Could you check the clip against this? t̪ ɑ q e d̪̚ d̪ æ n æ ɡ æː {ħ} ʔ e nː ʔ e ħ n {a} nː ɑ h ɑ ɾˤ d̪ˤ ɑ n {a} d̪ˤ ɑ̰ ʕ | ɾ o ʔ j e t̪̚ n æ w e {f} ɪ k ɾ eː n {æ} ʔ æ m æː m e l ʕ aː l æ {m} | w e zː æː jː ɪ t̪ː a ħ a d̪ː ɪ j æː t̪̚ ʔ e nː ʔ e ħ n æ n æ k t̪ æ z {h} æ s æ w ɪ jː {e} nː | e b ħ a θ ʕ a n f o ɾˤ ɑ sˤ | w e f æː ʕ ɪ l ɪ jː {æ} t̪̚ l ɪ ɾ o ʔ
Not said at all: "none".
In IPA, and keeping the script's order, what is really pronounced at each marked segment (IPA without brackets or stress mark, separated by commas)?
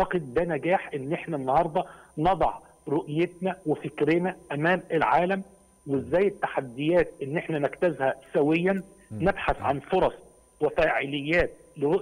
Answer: ħ, æ, ɑ, f, æ, m, h, æ, æː